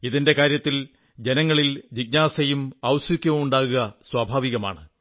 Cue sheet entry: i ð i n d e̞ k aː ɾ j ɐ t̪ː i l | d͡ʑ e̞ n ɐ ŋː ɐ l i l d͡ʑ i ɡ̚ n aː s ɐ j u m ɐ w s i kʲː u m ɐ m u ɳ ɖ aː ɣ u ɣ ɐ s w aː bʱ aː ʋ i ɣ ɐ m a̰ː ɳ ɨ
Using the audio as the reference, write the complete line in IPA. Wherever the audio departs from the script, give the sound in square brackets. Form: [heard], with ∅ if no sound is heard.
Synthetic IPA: i ð i n d e̞ k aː ɾ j ɐ t̪ː i l | d͡ʑ e̞ n ɐ ŋː ɐ [ɭ] i l d͡ʑ i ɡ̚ n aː s ɐ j u m ɐ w s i kʲː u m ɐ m u ɳ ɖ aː ɣ u ɣ ɐ s w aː bʱ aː ʋ i ɣ ɐ m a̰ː ɳ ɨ